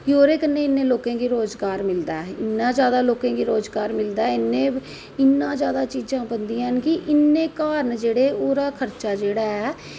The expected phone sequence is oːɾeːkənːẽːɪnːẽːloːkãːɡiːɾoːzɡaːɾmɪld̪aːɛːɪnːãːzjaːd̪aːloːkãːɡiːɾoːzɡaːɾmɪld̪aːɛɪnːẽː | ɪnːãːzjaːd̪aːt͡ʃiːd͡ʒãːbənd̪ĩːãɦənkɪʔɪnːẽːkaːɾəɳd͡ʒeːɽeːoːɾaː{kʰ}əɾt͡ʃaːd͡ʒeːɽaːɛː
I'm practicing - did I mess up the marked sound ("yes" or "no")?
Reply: no